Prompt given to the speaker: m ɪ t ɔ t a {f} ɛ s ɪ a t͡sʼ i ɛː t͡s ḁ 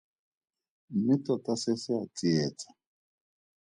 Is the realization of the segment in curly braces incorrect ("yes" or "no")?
yes